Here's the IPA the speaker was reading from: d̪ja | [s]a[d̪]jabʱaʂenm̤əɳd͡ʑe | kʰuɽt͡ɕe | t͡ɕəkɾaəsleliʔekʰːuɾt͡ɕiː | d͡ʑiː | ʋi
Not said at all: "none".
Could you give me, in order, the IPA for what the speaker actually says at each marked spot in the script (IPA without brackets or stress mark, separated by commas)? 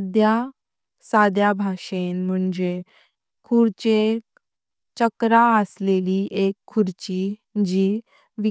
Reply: s, d̪